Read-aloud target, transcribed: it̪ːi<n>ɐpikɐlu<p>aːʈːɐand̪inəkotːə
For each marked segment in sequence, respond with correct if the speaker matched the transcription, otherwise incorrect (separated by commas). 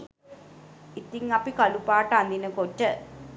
incorrect, correct